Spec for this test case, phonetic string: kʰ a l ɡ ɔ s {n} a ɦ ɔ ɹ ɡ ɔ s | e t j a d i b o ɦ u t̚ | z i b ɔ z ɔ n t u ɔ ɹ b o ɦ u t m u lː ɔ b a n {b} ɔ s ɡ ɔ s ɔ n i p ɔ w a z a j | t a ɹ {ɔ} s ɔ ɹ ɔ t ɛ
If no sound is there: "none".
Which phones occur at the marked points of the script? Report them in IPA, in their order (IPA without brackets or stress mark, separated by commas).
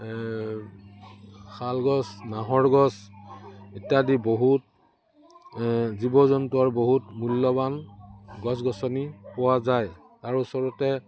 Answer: n, ɡ, u